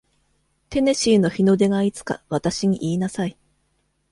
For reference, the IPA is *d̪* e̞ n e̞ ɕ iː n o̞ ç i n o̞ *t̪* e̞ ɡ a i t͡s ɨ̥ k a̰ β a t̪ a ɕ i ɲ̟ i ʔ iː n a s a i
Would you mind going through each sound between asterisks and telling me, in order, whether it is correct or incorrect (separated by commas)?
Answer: incorrect, incorrect